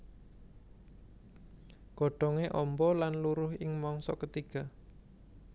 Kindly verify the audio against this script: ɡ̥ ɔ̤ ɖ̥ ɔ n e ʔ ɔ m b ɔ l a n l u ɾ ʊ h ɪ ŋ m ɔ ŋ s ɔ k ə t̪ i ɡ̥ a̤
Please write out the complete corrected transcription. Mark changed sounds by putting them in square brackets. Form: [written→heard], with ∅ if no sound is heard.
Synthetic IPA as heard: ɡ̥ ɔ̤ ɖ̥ ɔ [n→ŋ] e ʔ ɔ m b ɔ l a n l u ɾ ʊ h ɪ ŋ m ɔ ŋ s ɔ k ə t̪ i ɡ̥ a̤